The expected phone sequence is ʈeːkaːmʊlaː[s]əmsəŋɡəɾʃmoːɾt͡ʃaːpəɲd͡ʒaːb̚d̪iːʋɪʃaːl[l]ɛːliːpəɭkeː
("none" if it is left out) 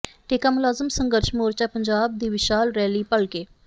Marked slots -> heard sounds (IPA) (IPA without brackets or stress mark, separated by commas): z, ɾ